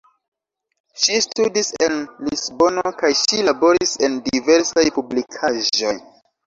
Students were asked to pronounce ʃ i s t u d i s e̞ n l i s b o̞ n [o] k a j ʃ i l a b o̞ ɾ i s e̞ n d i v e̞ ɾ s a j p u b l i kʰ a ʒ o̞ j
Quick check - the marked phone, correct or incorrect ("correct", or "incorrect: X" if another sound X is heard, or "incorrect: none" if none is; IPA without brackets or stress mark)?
correct